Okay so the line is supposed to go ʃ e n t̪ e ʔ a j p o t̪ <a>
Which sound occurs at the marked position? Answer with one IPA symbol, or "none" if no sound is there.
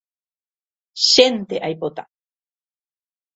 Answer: a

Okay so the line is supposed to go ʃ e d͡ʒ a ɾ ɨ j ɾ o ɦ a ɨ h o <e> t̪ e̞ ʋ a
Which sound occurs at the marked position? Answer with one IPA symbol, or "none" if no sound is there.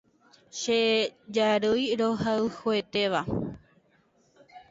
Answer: e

